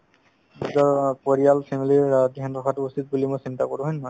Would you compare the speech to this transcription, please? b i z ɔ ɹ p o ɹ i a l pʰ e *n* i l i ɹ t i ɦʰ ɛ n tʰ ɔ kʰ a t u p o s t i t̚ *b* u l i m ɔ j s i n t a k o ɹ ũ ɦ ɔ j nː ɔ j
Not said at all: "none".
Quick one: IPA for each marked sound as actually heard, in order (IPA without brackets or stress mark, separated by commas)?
m, b